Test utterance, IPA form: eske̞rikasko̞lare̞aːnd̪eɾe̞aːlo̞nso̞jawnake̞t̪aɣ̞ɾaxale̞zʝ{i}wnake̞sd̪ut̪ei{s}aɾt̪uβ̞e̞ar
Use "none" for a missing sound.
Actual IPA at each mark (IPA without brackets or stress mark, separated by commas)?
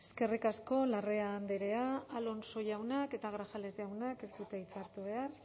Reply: a, t͡s